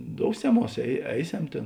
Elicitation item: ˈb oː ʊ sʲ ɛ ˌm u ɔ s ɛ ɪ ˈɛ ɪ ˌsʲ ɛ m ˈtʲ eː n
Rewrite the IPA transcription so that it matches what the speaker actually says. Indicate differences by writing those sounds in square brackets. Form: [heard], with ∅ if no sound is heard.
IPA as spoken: [ˈd] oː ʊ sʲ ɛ ˌm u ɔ s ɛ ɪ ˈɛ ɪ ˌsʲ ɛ m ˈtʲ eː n